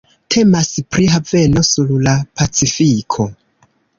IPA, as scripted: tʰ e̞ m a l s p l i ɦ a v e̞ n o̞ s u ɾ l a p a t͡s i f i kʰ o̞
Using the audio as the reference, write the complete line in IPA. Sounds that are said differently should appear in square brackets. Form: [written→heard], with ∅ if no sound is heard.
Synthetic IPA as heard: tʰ e̞ m a [l→∅] s p [l→ɾ] i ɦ a v e̞ n o̞ s u ɾ l a p a t͡s i f i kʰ o̞